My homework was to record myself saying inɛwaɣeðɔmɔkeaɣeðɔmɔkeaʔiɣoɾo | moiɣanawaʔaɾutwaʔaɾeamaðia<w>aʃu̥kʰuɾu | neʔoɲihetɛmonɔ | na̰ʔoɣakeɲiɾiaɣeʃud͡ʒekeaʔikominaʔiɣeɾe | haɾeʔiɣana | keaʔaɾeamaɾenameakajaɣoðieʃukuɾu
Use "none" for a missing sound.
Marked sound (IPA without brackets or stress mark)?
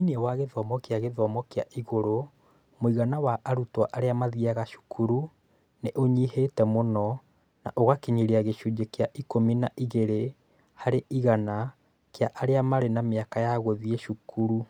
ɣ